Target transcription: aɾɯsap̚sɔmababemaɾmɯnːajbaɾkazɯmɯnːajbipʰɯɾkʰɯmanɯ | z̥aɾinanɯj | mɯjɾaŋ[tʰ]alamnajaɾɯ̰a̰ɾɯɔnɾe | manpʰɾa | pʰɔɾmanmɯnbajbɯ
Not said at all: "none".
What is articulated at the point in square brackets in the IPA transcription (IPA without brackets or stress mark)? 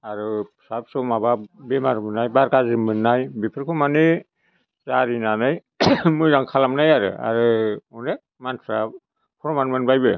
kʰ